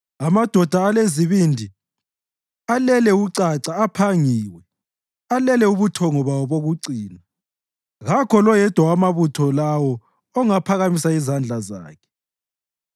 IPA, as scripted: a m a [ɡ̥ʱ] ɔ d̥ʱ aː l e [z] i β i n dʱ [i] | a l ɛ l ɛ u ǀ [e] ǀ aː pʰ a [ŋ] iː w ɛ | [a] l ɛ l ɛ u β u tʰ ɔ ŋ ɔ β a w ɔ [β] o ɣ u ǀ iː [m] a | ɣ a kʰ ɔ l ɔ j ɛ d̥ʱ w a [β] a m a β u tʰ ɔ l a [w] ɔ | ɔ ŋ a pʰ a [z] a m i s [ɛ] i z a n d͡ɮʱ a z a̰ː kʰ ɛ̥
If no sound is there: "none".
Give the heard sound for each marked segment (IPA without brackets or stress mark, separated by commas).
d̥ʱ, z, i, a, ŋ, a, β, n, w, w, ɣ, a